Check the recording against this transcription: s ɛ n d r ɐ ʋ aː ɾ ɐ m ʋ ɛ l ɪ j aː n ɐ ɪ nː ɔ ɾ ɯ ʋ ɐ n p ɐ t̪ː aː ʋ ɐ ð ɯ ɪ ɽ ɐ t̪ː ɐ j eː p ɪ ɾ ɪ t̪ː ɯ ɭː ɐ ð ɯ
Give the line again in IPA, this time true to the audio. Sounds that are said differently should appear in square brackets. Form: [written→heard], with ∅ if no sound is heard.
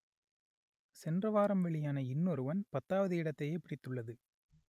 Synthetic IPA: s ɛ n d r ɐ ʋ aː ɾ ɐ m ʋ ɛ [l→ɭ] ɪ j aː n ɐ ɪ nː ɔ ɾ ɯ ʋ ɐ n p ɐ t̪ː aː ʋ ɐ ð ɯ ɪ ɽ ɐ t̪ː ɐ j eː p ɪ [ɾ→ɽ] ɪ t̪ː ɯ ɭː ɐ ð ɯ